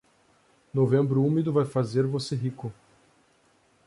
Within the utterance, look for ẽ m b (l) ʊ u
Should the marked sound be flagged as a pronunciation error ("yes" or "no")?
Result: yes